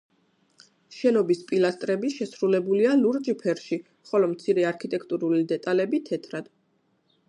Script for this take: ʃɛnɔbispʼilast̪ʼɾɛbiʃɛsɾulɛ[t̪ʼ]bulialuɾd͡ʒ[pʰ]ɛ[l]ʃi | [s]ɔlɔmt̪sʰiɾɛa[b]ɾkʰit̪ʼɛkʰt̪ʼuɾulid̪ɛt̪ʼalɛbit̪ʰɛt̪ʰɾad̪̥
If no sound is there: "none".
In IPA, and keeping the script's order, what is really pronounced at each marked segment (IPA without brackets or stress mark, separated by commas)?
none, pʰ, ɾ, χ, none